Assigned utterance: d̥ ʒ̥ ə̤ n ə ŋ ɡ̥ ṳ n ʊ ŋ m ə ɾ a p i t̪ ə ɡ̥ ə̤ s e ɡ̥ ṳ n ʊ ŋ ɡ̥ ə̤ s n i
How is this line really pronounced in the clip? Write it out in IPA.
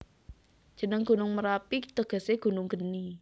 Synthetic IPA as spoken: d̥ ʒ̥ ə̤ n ə ŋ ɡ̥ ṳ n ʊ ŋ m ə ɾ a p i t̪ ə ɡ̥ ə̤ s e ɡ̥ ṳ n ʊ ŋ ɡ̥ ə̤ n i